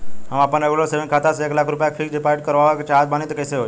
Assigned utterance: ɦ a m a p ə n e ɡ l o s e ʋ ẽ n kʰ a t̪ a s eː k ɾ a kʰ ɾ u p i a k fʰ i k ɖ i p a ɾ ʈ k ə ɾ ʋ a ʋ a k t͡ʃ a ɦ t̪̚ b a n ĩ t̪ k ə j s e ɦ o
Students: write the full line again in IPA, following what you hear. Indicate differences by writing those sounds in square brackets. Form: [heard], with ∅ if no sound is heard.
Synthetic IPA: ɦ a m a p ə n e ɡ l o s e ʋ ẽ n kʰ a t̪ a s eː k [l] a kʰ ɾ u p [j] a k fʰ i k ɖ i p a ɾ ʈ k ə ɾ ʋ a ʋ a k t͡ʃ a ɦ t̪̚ b a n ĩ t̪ k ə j s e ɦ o